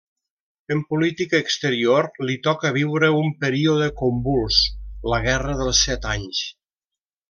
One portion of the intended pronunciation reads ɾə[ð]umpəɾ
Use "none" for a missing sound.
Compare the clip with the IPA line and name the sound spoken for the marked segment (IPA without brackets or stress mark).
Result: none